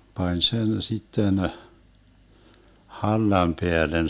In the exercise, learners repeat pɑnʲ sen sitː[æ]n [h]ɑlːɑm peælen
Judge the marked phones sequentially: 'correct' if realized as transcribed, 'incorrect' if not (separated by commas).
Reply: incorrect, correct